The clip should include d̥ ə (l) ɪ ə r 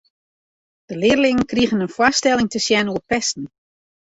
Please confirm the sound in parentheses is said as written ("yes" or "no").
yes